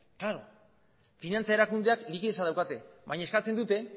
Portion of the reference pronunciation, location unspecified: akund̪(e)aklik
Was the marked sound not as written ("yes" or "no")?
no